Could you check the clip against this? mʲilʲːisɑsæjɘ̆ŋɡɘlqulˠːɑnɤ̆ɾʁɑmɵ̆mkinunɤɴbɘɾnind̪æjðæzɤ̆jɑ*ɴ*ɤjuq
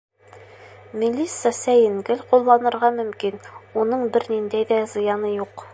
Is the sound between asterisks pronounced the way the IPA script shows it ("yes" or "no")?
no